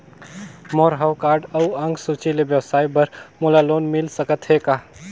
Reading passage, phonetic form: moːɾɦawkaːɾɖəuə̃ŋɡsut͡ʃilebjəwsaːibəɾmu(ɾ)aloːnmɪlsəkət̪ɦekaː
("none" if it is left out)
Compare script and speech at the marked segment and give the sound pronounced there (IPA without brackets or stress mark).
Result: l